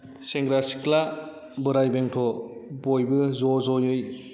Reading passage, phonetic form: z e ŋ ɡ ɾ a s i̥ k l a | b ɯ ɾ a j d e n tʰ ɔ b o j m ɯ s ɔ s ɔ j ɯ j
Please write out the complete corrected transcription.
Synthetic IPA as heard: s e ŋ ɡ ɾ a s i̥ k l a | b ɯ ɾ a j b e ŋ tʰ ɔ b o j b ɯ z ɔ z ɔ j ɯ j